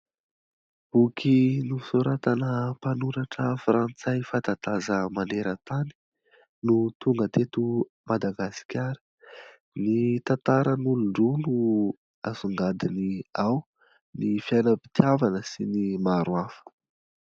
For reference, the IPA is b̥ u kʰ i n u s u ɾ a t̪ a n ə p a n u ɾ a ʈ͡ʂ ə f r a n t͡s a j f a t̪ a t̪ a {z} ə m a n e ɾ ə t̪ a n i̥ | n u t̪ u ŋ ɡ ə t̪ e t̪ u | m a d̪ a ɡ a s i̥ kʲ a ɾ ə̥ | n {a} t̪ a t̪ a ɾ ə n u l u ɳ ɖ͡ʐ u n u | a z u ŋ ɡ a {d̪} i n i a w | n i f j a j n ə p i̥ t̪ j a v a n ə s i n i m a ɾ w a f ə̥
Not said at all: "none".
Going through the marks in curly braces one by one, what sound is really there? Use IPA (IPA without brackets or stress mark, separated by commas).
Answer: z, i, d̪